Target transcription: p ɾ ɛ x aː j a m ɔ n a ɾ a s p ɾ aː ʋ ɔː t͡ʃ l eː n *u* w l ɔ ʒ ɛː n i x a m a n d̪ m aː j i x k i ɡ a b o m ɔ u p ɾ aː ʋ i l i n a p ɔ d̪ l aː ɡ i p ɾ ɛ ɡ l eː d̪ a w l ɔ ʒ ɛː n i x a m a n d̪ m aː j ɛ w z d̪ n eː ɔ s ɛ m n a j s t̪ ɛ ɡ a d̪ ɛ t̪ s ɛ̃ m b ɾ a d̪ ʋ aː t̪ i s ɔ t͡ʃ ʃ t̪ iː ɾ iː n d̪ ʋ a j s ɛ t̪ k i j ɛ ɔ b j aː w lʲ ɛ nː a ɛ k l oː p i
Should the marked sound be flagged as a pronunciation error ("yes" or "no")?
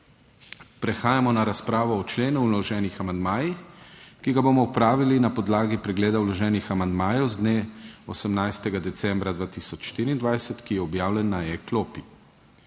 no